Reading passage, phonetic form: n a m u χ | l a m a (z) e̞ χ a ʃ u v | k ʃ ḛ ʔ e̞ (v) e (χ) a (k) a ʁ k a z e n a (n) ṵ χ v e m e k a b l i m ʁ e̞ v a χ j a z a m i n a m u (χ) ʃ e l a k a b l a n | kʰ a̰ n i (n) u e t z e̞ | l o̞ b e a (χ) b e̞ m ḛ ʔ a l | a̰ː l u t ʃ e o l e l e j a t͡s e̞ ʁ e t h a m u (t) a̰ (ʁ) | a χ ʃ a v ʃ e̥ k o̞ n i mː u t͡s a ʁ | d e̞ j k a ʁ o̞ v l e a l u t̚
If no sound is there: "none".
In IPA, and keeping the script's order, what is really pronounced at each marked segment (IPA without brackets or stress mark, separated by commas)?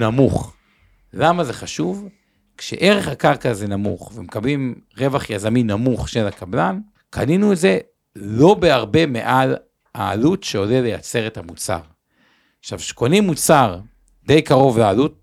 z, ʁ, χ, k, m, χ, n, ʁ, t͡s, ʁ